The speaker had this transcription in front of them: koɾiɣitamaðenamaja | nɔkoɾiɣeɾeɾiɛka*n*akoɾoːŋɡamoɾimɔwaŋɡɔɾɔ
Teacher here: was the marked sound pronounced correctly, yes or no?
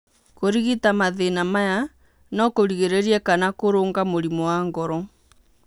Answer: yes